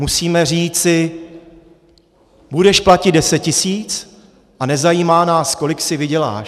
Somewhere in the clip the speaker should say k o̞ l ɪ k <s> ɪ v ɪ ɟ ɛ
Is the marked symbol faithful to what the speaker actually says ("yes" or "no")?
yes